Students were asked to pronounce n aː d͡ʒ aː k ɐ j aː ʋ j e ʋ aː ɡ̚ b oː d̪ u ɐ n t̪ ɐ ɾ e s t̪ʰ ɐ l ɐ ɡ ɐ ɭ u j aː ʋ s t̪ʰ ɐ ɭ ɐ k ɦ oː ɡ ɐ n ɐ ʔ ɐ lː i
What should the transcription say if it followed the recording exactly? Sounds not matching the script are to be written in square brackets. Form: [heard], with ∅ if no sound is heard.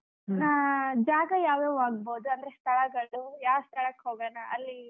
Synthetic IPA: n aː d͡ʒ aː [ɡ] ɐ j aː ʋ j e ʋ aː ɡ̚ b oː d̪ u ɐ n [d̪] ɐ ɾ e s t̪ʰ ɐ [ɭ] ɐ ɡ ɐ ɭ u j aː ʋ s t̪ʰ ɐ ɭ ɐ k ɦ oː ɡ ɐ n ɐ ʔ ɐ lː i